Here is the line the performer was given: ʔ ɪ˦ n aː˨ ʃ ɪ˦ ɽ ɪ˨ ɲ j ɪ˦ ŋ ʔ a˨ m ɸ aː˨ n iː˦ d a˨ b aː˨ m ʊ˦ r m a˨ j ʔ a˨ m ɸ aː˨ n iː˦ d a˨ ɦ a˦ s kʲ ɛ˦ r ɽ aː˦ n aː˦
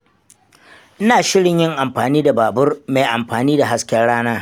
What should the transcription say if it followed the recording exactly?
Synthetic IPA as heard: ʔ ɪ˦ n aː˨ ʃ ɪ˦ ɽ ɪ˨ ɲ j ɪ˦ ŋ ʔ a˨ m ɸ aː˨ n iː˦ d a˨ b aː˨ b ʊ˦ r m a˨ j ʔ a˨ m ɸ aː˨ n iː˦ d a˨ ɦ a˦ s kʲ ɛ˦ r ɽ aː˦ n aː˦